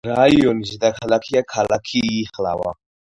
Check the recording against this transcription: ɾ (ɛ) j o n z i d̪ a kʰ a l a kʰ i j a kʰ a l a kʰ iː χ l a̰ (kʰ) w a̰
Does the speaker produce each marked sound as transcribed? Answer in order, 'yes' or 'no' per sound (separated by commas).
no, no